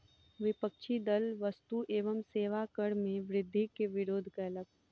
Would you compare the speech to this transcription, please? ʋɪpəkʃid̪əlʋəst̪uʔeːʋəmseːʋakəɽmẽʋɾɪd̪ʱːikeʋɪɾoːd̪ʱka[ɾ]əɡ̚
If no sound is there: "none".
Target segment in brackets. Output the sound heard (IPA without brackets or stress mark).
l